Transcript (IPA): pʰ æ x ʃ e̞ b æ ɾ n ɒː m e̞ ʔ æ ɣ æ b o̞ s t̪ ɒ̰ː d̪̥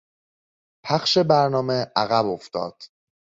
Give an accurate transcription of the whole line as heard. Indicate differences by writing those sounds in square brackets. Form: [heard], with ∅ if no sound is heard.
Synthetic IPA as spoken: pʰ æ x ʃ e̞ b æ ɾ n ɒː m e̞ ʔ æ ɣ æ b o̞ [f] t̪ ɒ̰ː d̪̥